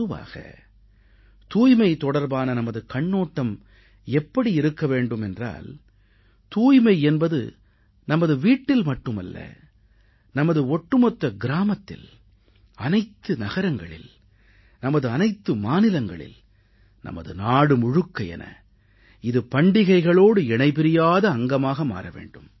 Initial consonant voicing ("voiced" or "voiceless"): voiced